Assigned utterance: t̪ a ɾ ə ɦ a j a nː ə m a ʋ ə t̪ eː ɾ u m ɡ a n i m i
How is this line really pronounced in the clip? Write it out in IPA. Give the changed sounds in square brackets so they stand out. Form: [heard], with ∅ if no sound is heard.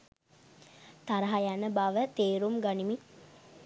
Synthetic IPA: t̪ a ɾ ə ɦ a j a [n] ə [b] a ʋ ə t̪ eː ɾ u m ɡ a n i m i